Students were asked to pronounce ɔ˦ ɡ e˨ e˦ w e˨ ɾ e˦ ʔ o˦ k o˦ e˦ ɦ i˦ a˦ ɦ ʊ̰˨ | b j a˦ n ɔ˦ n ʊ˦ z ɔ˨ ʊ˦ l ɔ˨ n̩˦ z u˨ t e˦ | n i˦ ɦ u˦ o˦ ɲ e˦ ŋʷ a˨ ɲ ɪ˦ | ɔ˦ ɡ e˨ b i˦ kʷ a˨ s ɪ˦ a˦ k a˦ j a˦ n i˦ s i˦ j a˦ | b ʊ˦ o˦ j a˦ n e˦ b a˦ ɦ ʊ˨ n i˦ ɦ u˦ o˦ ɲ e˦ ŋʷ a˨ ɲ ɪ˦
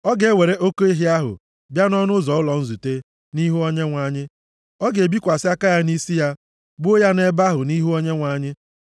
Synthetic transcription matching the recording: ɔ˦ ɡ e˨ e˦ w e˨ ɾ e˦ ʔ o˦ k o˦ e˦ ɦ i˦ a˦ ɦ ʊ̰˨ | b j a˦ n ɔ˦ n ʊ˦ z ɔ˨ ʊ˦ l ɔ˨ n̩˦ z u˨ t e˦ | n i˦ ɦ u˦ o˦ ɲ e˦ ŋʷ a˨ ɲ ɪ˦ | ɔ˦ ɡ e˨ b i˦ kʷ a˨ s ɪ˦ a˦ k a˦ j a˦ n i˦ s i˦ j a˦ | b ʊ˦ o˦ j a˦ n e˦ b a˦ ɦ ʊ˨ n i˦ ɦ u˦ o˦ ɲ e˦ ŋʷ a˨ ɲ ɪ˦